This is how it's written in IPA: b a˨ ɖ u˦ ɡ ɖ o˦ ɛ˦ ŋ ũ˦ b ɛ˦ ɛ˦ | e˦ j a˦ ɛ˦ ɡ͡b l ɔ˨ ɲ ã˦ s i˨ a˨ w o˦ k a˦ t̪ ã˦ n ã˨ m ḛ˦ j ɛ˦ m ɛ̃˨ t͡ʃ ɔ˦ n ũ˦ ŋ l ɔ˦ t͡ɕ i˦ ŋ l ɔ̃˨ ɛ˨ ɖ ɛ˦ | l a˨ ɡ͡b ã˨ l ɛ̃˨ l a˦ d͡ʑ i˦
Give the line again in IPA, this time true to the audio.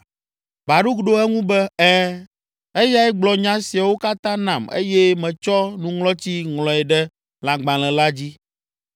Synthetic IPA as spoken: b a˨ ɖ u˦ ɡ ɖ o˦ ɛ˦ ŋ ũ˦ b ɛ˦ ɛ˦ | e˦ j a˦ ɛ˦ ɡ͡b l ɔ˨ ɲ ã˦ s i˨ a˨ w o˦ k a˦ t̪ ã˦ n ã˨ m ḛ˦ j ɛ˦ m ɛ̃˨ t͡ʃ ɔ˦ n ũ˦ ŋ l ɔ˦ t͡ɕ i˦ ŋ l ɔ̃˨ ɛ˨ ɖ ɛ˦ | l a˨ ɡ͡b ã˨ l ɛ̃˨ l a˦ d͡ʑ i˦

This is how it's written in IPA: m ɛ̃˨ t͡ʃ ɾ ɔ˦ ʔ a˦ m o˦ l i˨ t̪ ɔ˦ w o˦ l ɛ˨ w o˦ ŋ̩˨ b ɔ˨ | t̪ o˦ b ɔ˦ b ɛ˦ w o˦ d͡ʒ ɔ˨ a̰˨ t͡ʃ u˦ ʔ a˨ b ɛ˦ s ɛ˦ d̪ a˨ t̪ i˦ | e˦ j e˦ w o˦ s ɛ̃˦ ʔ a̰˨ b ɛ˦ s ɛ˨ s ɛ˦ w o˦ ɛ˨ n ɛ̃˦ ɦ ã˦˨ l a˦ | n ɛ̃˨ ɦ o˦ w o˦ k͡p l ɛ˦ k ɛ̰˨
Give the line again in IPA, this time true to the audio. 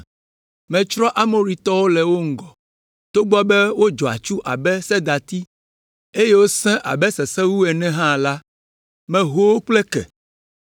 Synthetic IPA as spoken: m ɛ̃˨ t͡ʃ ɾ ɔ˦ ʔ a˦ m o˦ ɾ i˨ t̪ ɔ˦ w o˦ l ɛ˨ w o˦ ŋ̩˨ ɡ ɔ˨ | t̪ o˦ ɡ͡b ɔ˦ b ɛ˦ w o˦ d͡ʒ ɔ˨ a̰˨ t͡ʃ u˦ ʔ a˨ b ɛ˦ s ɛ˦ d̪ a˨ t̪ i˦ | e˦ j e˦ w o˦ s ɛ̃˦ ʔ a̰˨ b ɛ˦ s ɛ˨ s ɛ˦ w u˦ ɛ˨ n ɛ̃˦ ɦ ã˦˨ l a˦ | m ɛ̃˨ ɦ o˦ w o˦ k͡p l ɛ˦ k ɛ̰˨

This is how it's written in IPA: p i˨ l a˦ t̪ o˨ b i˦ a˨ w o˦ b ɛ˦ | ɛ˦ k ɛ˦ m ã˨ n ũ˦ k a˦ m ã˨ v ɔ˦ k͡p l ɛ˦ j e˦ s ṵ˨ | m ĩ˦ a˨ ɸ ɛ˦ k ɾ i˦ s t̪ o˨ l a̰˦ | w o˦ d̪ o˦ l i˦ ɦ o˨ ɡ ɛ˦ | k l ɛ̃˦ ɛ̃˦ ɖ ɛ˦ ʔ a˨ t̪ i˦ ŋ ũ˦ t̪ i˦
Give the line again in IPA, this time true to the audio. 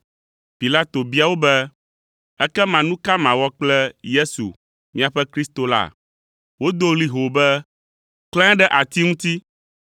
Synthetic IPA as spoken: p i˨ l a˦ t̪ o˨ b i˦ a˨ w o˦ b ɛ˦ | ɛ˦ k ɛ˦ m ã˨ n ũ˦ k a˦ m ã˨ w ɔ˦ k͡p l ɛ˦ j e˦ s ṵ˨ | m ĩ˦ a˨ ɸ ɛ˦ k ɾ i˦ s t̪ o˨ l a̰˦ | w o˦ d̪ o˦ l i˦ ɦ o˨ b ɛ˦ | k l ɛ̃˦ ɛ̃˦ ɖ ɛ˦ ʔ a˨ t̪ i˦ ŋ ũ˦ t̪ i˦

